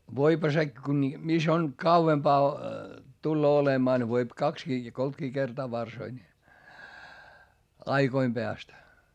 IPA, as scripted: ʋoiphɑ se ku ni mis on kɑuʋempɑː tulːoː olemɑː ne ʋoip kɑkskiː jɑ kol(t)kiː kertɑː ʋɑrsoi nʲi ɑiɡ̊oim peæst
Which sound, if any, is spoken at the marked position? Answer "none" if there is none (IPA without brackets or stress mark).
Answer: t